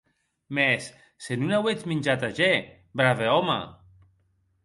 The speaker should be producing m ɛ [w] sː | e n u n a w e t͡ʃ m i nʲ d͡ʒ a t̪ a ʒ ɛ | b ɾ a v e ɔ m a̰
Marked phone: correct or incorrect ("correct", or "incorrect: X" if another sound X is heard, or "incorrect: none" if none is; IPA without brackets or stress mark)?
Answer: incorrect: none